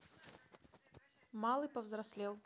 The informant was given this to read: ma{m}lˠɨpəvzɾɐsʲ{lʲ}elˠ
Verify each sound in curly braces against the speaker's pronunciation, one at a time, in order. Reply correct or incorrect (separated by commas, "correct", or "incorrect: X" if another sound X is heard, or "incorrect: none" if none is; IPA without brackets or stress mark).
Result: incorrect: none, correct